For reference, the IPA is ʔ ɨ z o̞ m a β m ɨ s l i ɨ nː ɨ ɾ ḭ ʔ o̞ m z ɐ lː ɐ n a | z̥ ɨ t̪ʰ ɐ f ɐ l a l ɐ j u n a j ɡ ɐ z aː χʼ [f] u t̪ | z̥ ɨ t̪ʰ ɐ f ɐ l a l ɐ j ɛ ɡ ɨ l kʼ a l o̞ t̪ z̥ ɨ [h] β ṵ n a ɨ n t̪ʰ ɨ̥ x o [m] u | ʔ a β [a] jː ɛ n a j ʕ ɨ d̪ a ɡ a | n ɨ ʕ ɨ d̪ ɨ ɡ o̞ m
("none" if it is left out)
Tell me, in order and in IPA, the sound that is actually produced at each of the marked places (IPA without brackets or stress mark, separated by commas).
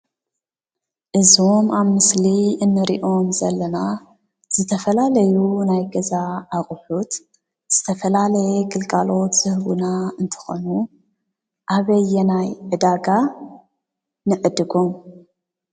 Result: ħ, h, n, ɐ